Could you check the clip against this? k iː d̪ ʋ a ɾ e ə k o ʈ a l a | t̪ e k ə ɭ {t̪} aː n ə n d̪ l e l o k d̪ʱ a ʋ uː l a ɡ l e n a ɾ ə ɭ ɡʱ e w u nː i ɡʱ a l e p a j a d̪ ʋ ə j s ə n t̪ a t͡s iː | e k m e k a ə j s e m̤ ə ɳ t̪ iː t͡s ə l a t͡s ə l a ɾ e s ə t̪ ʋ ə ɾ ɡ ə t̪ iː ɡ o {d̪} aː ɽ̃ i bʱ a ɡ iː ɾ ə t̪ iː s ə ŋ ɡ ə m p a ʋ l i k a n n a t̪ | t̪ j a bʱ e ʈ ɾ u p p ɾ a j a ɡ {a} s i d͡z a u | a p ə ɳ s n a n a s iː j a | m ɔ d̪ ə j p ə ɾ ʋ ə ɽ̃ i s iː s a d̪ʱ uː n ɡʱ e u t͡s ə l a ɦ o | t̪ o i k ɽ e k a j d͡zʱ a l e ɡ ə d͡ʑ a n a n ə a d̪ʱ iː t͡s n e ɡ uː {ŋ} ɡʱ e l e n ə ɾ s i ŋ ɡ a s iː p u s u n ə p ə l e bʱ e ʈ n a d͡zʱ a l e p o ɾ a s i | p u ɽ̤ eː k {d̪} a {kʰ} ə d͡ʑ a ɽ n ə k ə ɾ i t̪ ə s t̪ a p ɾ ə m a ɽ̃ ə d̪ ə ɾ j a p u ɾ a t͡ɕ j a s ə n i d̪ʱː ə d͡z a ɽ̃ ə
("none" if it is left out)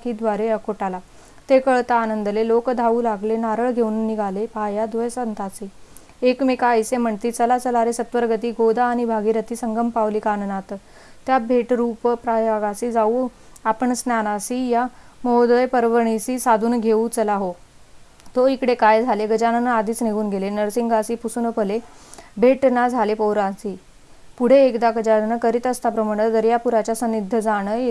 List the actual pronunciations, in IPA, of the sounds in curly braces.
t̪, d̪, a, n, d̪, k

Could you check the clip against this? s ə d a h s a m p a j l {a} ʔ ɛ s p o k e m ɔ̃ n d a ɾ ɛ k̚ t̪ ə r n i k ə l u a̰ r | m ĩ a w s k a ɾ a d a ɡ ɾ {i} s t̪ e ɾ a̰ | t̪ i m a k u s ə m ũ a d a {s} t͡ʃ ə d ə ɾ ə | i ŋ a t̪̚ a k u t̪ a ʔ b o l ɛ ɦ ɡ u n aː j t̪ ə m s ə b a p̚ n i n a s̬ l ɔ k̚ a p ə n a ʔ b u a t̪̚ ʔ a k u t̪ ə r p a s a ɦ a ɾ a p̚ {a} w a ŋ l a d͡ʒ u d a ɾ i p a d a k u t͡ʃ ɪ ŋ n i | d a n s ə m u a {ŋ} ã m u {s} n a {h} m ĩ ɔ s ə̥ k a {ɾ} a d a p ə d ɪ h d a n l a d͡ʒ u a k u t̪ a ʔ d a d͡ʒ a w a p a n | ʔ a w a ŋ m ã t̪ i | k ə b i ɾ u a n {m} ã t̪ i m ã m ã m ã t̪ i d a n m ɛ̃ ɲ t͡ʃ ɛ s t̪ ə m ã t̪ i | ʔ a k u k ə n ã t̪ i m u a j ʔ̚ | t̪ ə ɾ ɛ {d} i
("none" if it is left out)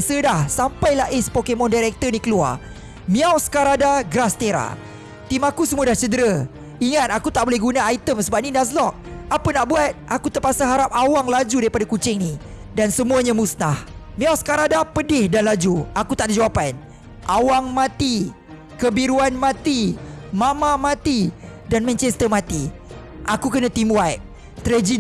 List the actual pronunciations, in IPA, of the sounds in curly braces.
a, a, h, a, ɲ, s, h, ɾ, m, d͡ʒ

